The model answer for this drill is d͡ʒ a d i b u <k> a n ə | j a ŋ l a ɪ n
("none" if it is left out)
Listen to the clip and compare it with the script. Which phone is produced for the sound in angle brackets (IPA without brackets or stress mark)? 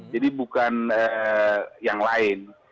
k